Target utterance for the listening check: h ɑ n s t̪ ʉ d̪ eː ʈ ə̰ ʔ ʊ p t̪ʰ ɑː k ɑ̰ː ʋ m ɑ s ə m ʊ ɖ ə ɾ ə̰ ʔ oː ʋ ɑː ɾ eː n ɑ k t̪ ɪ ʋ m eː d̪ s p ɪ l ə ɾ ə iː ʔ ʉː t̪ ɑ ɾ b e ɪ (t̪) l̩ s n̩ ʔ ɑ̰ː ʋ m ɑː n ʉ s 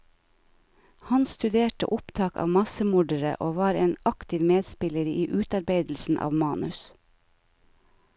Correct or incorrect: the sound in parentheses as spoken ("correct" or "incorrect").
incorrect